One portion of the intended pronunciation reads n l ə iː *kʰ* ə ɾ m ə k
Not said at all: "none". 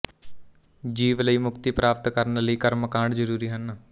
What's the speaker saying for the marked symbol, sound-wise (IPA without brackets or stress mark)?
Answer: k